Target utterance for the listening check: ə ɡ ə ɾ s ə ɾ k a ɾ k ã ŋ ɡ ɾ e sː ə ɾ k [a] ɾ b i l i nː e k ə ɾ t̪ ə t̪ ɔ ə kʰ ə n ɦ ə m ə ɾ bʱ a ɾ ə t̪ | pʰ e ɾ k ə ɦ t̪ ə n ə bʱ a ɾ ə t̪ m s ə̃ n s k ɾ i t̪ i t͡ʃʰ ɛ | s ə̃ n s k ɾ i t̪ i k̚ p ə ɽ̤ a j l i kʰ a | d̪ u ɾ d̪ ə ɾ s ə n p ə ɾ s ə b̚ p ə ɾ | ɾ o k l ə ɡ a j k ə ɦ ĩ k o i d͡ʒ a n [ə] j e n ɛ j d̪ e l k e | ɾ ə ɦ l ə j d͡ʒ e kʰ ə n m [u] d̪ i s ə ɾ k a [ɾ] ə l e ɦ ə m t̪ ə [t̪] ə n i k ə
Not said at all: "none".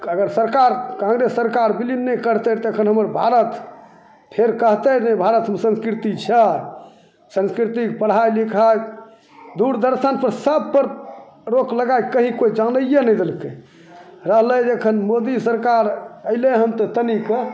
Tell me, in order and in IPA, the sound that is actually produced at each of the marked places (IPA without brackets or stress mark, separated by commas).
a, ə, o, ɾ, t̪